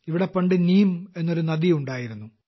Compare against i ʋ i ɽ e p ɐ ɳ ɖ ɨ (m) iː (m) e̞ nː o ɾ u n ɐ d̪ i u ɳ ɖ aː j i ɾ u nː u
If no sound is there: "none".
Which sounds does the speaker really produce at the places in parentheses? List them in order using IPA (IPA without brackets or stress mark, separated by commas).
n, m